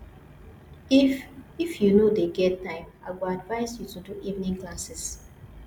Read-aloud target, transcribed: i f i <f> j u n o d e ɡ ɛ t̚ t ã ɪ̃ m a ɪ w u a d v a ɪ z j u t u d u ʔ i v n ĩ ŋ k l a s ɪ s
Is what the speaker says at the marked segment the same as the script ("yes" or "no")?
yes